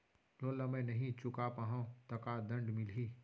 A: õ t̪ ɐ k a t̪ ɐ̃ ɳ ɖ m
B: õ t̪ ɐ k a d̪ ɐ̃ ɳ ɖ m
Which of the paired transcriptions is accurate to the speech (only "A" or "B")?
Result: B